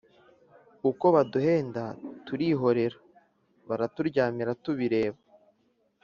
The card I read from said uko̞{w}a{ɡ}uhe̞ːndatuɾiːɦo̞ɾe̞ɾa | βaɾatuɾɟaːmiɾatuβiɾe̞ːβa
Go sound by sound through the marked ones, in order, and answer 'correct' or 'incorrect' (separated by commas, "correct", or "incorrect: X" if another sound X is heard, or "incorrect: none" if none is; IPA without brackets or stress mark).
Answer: incorrect: β, incorrect: d